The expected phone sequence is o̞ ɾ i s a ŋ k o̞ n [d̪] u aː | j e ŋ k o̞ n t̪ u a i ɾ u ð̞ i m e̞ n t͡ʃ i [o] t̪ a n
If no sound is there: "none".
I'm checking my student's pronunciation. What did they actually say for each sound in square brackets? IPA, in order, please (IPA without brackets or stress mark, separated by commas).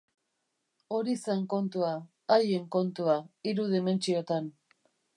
t̪, o